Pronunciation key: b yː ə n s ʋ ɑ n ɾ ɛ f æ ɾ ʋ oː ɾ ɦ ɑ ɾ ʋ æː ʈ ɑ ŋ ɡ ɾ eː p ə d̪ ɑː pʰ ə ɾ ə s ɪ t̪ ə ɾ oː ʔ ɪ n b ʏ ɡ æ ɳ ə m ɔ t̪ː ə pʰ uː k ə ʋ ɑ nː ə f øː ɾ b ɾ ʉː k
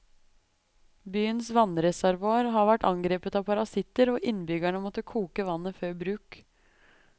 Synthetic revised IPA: b yː ə n s ʋ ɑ n ɾ ɛ s æ ɾ ʋ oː ɾ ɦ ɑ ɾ ʋ æ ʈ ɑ ŋ ɡ ɾ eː p ə t̪ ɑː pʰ ɑ ɾ ɑ s ɪ t̪ ə ɾ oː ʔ ɪ n b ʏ ɡ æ ɳ ə m ɔ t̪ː ə kʰ uː k ə ʋ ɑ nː ə f øː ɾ b ɾ ʉː k